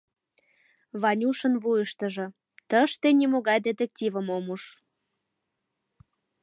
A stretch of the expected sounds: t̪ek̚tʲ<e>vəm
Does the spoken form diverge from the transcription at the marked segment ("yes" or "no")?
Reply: yes